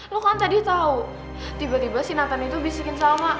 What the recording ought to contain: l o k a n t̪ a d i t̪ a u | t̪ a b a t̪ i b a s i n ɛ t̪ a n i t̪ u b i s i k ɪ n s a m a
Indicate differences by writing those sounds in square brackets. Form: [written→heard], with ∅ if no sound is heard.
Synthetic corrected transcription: l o k a n t̪ a d i t̪ a u | t̪ [a→i] b a t̪ i b a s i n [ɛ→a] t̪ a n i t̪ u b i s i k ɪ n s a m a